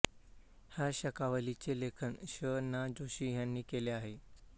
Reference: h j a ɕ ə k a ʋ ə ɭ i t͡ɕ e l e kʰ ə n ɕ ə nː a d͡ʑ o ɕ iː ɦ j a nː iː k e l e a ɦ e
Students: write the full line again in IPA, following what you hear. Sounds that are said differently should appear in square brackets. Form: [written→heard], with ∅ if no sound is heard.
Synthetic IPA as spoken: h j a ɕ ə k a ʋ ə [ɭ→l] i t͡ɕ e l e kʰ ə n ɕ ə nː a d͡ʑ o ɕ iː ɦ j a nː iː k e l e a ɦ e

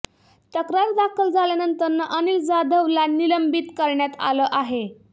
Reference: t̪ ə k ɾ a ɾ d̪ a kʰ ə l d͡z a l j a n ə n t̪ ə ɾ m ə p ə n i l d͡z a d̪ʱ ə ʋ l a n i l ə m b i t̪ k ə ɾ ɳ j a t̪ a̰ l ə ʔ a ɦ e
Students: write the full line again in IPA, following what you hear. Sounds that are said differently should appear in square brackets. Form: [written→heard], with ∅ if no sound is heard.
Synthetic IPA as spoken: t̪ ə k ɾ a ɾ d̪ a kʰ ə l d͡z a l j a n ə n t̪ ə ɾ [m→n] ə [p→ʔ] ə n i l d͡z a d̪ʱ ə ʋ l a n i l ə m b i t̪ k ə ɾ ɳ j a t̪ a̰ l ə ʔ a ɦ e

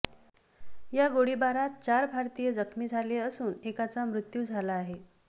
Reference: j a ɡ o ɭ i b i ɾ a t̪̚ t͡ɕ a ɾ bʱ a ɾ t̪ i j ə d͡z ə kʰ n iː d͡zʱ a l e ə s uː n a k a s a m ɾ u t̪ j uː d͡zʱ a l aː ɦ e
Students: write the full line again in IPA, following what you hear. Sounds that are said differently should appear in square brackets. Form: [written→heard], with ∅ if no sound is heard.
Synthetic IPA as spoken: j a ɡ o [ɭ→ɽ] i b [i→a] ɾ a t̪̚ t͡ɕ a ɾ bʱ a ɾ t̪ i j ə d͡z ə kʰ [n→m] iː d͡zʱ a l e ə s uː n [a→e] k a [s→t͡s] a m ɾ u t̪ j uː d͡zʱ a l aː ɦ e

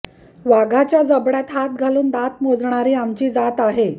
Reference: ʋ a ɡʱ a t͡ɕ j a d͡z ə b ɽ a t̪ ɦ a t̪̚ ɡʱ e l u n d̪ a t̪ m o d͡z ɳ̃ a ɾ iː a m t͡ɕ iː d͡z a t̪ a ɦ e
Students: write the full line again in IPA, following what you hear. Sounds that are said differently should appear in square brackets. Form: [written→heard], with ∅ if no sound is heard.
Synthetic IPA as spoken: ʋ a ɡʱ a t͡ɕ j a d͡z ə b ɽ a t̪ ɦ a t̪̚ ɡʱ [e→a] l [u→uː] n d̪ a t̪ m o d͡z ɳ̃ a ɾ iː a m t͡ɕ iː d͡z a t̪ a ɦ e

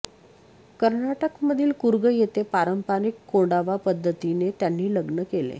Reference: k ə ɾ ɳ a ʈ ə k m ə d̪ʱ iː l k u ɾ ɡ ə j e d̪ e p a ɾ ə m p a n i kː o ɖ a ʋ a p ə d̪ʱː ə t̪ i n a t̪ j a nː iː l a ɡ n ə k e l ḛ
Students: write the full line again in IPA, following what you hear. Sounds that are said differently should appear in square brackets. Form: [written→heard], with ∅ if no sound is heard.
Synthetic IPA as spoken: k ə ɾ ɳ a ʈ ə k m ə d̪ʱ iː l k u ɾ ɡ ə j e [d̪→t̪] e p a ɾ ə m p a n i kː o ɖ a ʋ a p ə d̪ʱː ə t̪ i n [a→e] t̪ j a nː iː l [a→ə] ɡ n ə k e l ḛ

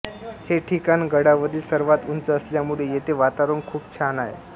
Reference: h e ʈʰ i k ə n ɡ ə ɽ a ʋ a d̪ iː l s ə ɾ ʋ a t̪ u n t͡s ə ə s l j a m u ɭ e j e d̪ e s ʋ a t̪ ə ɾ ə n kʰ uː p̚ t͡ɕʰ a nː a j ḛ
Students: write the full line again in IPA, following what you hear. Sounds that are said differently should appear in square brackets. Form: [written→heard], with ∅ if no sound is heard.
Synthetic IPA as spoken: h e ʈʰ i k [ə→a] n ɡ ə ɽ a ʋ [a→ə] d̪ iː l s ə ɾ ʋ a t̪ u n t͡s ə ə s l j a m u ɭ e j e [d̪→t̪] e [s→∅] ʋ a t̪ [ə→a] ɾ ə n kʰ uː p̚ t͡ɕʰ a [nː→n] a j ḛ

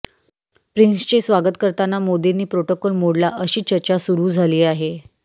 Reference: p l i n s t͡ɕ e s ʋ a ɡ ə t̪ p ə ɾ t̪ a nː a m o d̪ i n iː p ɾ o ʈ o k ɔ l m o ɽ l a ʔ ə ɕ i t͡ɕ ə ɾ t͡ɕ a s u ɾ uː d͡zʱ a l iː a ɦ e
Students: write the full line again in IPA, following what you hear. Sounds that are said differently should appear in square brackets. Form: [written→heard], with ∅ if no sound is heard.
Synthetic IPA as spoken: p [l→ɾ] i n s t͡ɕ e s ʋ a ɡ ə t̪ [p→k] ə ɾ t̪ a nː a m o d̪ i n iː p ɾ o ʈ o k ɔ l m o ɽ l a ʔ ə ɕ [i→iː] t͡ɕ ə ɾ t͡ɕ a s u ɾ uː d͡zʱ a l iː a ɦ e

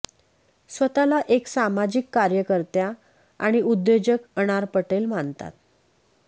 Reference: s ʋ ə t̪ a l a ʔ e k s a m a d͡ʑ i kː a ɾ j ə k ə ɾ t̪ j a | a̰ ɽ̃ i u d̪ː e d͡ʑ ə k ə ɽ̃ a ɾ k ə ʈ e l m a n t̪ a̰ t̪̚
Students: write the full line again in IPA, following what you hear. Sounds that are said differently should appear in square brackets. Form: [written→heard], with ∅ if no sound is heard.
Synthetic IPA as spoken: s ʋ ə t̪ a l a ʔ e k s a m a d͡ʑ i kː a ɾ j ə k ə ɾ t̪ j a | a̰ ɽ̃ i u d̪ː e d͡ʑ ə k ə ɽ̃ a ɾ [k→p] ə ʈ e l m a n t̪ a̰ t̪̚

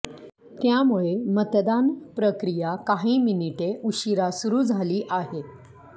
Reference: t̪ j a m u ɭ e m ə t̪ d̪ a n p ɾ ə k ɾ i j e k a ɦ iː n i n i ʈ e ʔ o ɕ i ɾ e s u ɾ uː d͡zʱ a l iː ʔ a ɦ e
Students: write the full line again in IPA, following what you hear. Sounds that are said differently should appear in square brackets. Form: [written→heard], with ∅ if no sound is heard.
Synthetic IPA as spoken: t̪ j a m u ɭ e m ə t̪ d̪ a n p ɾ ə k ɾ i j [e→a] k a ɦ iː [n→m] i n i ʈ e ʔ [o→u] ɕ i ɾ [e→a] s u ɾ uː d͡zʱ a l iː ʔ a ɦ e

